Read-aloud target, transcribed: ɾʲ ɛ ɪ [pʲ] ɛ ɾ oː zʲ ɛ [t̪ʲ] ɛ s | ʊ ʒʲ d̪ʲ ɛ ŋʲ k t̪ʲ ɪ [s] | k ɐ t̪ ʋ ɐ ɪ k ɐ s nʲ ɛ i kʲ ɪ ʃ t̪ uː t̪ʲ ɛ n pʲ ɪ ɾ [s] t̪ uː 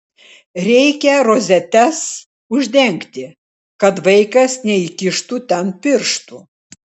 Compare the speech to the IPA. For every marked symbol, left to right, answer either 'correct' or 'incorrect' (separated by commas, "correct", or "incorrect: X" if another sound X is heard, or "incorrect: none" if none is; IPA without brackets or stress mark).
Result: incorrect: kʲ, correct, incorrect: none, incorrect: ʃ